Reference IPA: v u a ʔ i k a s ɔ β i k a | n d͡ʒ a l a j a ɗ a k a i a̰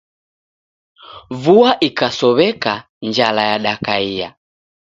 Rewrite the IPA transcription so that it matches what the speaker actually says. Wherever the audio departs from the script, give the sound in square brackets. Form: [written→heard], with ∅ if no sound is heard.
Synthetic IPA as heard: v u a ʔ i k a s ɔ β [i→ɛ] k a | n d͡ʒ a l a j a ɗ a k a i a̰